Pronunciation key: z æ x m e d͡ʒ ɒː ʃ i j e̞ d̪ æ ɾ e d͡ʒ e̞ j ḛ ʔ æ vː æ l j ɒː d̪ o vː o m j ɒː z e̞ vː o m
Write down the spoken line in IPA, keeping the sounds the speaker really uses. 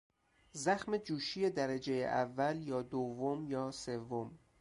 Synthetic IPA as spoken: z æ x m e d͡ʒ uː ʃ i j e̞ d̪ æ ɾ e d͡ʒ e̞ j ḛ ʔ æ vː æ l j ɒː d̪ o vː o m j ɒː s e̞ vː o m